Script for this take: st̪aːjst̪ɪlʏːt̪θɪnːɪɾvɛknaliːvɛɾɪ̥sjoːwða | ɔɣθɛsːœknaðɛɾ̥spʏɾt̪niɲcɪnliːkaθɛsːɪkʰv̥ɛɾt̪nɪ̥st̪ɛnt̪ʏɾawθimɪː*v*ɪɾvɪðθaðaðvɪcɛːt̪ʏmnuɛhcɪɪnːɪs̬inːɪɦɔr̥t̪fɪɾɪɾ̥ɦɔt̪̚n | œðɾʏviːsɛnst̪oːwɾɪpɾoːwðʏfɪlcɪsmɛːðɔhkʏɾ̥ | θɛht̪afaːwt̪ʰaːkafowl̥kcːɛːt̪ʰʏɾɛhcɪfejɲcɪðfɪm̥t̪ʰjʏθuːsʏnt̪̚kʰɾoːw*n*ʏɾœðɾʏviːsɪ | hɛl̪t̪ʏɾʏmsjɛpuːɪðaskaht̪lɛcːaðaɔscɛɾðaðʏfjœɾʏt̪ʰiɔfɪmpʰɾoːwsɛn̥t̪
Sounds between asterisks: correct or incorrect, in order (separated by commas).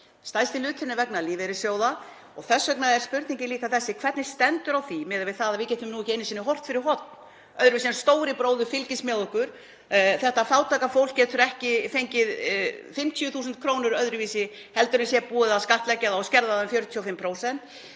incorrect, correct